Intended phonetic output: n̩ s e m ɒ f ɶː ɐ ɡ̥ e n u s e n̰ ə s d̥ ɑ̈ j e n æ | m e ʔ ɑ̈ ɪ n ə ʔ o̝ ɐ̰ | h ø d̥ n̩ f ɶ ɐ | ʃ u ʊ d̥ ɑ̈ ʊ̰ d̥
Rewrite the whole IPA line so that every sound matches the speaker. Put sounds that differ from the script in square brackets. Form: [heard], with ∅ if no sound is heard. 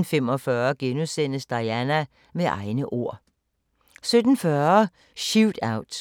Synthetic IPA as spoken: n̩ [f] e m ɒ f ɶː ɐ ɡ̥ e n u s e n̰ ə s d̥ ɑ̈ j [æ] n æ | m e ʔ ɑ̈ ɪ n ə ʔ o̝ ɐ̰ | [s] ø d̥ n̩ f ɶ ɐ | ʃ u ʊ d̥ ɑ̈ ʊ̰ d̥